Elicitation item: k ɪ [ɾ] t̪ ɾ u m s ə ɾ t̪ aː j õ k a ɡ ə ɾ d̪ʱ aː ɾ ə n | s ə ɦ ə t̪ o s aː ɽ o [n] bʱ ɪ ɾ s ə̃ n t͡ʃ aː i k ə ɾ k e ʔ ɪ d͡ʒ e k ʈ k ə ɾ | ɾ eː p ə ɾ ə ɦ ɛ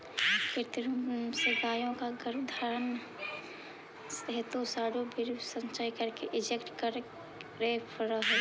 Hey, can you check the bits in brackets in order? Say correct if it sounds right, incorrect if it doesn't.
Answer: correct, incorrect: none

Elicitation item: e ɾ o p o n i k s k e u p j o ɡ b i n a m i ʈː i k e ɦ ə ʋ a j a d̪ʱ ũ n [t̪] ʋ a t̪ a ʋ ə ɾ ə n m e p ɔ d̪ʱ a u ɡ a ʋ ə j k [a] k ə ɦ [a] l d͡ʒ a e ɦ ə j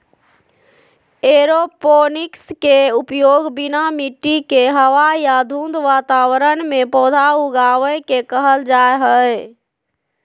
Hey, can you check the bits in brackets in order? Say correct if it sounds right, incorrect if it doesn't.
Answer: incorrect: d̪, incorrect: e, incorrect: ə

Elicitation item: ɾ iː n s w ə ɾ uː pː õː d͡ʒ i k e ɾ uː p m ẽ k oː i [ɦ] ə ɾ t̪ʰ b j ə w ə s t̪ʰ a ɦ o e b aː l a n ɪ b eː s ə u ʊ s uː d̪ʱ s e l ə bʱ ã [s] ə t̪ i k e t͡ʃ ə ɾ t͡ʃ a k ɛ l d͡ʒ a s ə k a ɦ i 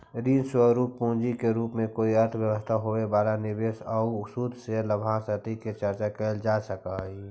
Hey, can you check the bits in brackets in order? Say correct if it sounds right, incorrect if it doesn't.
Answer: incorrect: none, correct

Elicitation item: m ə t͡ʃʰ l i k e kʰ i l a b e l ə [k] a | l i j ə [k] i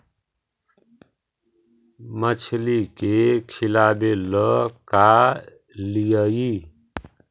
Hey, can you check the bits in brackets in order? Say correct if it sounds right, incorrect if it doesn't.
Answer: correct, incorrect: none

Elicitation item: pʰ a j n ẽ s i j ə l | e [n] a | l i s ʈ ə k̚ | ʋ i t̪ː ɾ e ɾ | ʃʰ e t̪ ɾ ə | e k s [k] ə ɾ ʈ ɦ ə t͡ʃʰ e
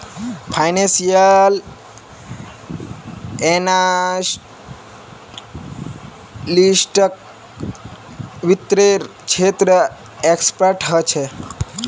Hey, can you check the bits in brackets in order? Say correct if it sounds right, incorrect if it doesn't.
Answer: correct, incorrect: p

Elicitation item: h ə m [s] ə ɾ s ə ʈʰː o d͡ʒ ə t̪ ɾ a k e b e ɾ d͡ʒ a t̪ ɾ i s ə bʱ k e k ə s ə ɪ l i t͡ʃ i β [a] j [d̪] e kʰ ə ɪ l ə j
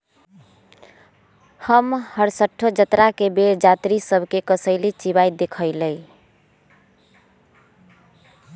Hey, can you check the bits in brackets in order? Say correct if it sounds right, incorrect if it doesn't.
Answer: incorrect: h, correct, correct

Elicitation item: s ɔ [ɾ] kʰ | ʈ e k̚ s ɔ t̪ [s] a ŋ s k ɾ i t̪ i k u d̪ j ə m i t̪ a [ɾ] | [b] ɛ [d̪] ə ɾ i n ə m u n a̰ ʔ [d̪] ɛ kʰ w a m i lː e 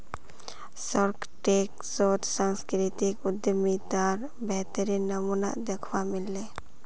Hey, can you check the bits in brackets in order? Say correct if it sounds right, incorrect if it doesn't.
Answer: correct, correct, correct, correct, incorrect: t̪, correct

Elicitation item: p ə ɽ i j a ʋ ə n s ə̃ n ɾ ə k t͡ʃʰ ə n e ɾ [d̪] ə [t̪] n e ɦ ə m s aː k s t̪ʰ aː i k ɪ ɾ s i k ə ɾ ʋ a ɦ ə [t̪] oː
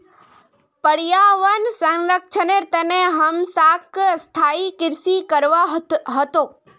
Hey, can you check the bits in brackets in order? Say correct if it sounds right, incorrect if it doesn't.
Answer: incorrect: t̪, incorrect: none, correct

